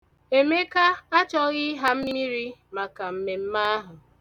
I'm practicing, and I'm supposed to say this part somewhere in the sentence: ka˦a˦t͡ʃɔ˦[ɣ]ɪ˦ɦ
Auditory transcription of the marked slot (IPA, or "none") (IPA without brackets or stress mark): ɣ